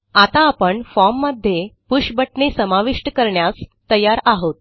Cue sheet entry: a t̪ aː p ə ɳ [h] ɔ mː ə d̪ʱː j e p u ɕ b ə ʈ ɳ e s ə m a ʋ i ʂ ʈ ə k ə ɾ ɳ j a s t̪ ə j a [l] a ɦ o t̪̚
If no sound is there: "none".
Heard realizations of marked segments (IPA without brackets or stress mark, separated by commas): f, ɾ